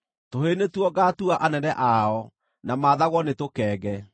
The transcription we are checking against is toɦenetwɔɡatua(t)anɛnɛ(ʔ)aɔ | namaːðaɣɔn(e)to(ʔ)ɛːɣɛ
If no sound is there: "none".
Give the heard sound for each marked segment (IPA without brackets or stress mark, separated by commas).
ʔ, ʔ, e, k